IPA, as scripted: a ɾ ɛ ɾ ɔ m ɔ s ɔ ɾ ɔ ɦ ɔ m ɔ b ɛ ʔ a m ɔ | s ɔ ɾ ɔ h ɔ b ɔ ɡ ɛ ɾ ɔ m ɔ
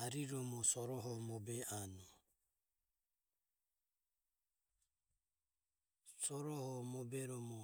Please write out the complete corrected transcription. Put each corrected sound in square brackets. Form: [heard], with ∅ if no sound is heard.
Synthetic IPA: a ɾ [i] ɾ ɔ m ɔ s ɔ ɾ ɔ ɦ ɔ m ɔ b ɛ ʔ a [n] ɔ | s ɔ ɾ ɔ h ɔ [m] ɔ [b] ɛ ɾ ɔ m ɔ

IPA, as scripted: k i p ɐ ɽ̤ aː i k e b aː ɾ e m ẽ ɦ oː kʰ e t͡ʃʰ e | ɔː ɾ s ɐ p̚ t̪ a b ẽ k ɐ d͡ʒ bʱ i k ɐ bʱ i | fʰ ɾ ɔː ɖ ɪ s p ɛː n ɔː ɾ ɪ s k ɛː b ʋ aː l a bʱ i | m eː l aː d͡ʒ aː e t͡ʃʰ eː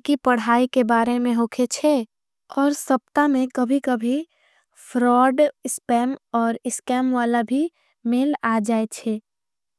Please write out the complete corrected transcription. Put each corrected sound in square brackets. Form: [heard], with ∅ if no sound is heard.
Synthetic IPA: k i p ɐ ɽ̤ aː i k e b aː ɾ e m ẽ ɦ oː kʰ e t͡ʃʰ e | ɔː ɾ s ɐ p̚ t̪ a [m] ẽ k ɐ [∅] bʱ i k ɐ bʱ i | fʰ ɾ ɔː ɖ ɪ s p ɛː [m] ɔː ɾ ɪ s k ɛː [m] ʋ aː l a bʱ i | m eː l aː d͡ʒ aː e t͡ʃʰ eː

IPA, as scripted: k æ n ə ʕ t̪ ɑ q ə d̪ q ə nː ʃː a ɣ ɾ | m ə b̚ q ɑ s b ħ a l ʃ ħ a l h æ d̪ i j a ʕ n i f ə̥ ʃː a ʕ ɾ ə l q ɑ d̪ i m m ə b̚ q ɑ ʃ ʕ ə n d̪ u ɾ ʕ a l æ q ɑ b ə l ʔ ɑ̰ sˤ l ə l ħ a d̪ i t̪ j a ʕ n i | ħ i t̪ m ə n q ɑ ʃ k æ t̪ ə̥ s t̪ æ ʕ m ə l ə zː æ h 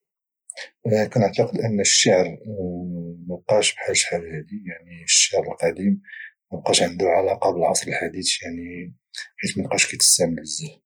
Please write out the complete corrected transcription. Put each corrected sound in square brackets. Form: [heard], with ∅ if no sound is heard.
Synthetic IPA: k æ n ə ʕ t̪ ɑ q ə d̪ [ʔ] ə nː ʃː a [ʕ] ɾ | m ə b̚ q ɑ [ʃ] b ħ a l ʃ ħ a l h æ d̪ i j a ʕ n i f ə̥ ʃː a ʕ ɾ ə l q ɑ d̪ i m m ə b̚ q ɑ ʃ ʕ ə n d̪ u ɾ ʕ a l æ q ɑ b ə l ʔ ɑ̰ sˤ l ə l ħ a d̪ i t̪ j a ʕ n i | ħ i t̪ m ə n q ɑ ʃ k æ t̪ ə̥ s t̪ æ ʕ m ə l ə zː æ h

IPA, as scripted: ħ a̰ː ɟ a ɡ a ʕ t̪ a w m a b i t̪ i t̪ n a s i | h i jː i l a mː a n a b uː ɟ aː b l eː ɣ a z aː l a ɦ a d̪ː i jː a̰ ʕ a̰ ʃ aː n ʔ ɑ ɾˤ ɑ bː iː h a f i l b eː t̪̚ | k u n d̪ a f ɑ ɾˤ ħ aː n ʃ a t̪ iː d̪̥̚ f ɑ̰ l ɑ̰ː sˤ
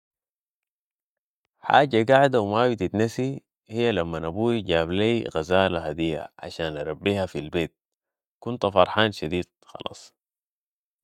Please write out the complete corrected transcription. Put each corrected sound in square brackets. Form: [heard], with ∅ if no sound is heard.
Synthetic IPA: ħ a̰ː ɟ a ɡ a ʕ [d̪] a w m a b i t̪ i t̪ n a s i | h i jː [a] l a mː a n a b uː ɟ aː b l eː ɣ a z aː l a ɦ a [d̪] i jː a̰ ʕ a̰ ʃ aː n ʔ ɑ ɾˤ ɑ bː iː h a f i l b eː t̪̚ | k u n [t̪] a f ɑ ɾˤ ħ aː n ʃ a [d̪] iː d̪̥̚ [x] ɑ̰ l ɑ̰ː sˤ

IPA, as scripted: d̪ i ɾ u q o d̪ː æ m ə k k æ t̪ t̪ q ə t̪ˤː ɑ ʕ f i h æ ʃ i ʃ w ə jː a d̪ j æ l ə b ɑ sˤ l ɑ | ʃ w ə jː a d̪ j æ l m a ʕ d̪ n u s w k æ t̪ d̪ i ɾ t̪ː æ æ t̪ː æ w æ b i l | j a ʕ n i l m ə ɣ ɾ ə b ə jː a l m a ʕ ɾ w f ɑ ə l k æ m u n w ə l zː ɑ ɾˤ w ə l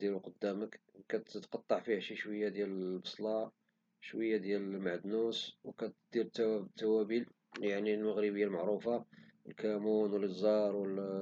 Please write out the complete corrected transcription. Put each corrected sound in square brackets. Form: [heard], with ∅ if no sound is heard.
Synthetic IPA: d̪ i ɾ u q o d̪ː æ m ə k k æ t̪ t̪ q [ɑ] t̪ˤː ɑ ʕ f i h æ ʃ i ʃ w ə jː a d̪ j æ l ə b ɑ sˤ l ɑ | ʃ w ə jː a d̪ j æ l m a ʕ d̪ n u s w k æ t̪ d̪ i ɾ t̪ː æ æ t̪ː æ w æ b i l | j a ʕ n i l m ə ɣ ɾ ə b ə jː a l m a ʕ ɾ [u] f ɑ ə l k æ m u n w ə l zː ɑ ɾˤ w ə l

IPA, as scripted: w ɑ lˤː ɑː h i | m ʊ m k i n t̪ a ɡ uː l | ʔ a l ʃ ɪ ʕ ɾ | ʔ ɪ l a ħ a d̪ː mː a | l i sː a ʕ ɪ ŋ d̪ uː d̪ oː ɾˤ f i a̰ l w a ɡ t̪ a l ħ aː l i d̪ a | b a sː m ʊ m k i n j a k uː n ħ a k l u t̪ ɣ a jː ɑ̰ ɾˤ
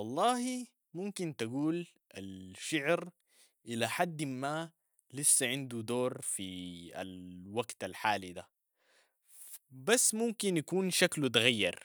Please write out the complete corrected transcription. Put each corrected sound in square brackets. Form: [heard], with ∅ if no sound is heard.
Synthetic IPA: w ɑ lˤː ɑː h i | m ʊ m k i n t̪ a ɡ uː l | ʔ a l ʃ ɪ ʕ ɾ | ʔ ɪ l a ħ a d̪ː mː a | l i sː a ʕ ɪ [n] d̪ [u] d̪ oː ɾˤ f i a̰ l w a ɡ t̪ a l ħ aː l i d̪ a | b a sː m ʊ m k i n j a k uː n [ʃ] a k l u t̪ ɣ a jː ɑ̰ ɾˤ

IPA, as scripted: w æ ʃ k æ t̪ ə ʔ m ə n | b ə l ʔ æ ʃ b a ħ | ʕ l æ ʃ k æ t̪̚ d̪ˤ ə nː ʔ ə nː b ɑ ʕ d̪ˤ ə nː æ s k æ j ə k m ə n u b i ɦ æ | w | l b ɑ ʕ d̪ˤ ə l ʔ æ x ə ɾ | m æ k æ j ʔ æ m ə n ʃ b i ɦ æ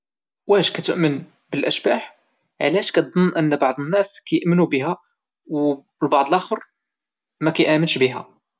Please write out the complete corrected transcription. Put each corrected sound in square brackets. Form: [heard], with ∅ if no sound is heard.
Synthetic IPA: w æ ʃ k æ t̪ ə ʔ m ə n | b ə l ʔ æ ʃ b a ħ | ʕ l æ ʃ k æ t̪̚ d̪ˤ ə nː ʔ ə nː b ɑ ʕ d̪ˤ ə nː æ s k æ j ə [ʔ] m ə n u b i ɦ æ | w | l b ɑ ʕ d̪ˤ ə l ʔ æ x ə ɾ | m æ k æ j ʔ æ m ə n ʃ b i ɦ æ

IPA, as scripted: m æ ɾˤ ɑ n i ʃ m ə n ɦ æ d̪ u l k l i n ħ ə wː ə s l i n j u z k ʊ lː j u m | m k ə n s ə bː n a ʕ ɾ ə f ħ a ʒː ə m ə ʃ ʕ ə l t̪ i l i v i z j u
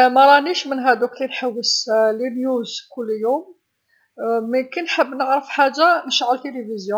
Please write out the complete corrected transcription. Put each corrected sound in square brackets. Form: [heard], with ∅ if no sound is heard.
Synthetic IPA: m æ ɾˤ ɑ n i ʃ m ə n ɦ æ d̪ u [∅] k l i n ħ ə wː ə s l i n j u z k ʊ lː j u m | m k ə n [ħ] ə bː n [ə] ʕ ɾ ə f ħ a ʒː [a] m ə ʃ ʕ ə l t̪ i l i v i z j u

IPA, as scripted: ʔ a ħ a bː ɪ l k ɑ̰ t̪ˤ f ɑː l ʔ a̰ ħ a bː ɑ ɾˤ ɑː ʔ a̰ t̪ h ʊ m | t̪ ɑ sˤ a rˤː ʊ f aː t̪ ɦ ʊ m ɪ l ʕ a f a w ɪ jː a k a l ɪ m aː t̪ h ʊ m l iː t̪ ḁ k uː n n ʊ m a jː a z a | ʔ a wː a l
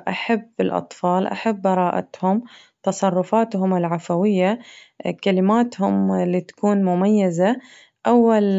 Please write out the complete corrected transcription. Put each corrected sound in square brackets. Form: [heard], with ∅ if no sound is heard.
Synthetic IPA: ʔ a ħ a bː ɪ l [ʔ] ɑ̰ t̪ˤ f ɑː l ʔ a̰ ħ a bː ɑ ɾˤ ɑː ʔ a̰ t̪ h ʊ m | t̪ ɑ sˤ [ɑ] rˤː ʊ f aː t̪ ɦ ʊ m ɪ l ʕ a f a w ɪ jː a k a l ɪ m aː t̪ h ʊ m l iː t̪ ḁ k uː n [m] ʊ m a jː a z a | ʔ a wː a l

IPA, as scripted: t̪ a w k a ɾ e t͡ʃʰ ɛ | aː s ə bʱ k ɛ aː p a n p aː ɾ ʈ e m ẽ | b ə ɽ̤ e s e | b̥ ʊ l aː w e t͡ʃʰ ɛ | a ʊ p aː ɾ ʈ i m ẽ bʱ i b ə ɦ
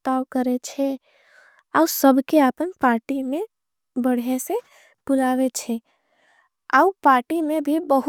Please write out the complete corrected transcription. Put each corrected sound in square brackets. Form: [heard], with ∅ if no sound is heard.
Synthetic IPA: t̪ a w k [ə] ɾ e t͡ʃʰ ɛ | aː s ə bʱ k [e] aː p [ə] n p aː ɾ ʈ [i] m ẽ | b ə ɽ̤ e s e | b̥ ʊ l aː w e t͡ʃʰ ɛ | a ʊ p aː ɾ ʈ i m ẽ bʱ i b ə ɦ

